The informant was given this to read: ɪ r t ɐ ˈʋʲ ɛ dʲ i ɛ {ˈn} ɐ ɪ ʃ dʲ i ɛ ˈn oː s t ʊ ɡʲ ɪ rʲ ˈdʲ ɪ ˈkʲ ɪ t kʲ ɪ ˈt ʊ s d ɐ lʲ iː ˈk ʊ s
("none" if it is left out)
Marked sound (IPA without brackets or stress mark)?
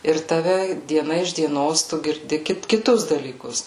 n